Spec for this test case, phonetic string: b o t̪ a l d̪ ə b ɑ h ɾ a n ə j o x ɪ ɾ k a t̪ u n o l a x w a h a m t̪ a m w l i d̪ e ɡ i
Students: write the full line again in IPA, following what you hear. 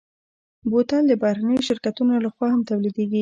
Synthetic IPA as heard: b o t̪ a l d̪ ə b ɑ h ɾ a n ə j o ʃ ɪ ɾ k a t̪ u n o l a x w ɑ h a m t̪ a w l i d̪ e ɡ i